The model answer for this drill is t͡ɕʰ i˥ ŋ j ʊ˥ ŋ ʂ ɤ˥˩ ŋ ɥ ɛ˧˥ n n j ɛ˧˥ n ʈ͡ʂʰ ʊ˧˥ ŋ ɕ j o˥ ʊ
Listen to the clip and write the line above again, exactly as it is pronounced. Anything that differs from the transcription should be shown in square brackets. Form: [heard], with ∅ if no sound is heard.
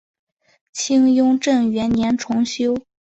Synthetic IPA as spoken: t͡ɕʰ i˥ ŋ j ʊ˥ ŋ [ʈ͡ʂ] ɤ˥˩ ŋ ɥ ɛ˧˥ n n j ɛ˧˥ n ʈ͡ʂʰ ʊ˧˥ ŋ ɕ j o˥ ʊ